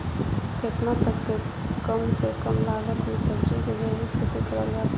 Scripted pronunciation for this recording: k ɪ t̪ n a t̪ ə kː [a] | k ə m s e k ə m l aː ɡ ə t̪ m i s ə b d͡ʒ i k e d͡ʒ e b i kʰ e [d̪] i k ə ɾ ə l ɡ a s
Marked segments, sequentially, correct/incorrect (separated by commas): incorrect, incorrect